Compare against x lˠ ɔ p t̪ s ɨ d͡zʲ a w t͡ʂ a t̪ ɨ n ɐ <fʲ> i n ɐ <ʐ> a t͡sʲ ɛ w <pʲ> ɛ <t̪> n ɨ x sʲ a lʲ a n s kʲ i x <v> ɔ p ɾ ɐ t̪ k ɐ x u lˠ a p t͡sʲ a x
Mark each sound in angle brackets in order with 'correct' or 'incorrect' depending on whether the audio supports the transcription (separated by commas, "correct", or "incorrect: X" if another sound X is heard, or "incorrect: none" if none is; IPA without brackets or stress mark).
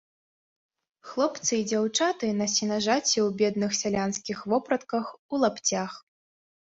incorrect: sʲ, correct, incorrect: bʲ, incorrect: d̪, correct